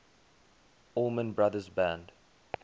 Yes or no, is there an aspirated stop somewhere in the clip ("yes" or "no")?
no